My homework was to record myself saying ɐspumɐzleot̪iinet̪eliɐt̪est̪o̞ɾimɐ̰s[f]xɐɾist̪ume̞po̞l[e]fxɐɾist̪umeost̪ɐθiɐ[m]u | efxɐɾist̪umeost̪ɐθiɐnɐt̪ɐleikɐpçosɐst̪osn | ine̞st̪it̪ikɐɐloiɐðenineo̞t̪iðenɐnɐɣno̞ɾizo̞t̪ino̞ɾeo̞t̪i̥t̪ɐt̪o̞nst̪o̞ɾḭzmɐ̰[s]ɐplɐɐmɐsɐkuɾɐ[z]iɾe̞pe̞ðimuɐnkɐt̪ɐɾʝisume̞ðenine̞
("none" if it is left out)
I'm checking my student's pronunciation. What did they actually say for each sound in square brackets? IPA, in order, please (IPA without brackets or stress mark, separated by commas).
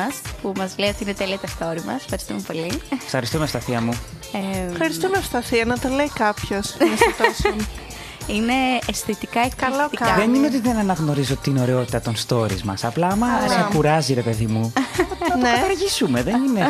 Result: f, i, m, s, z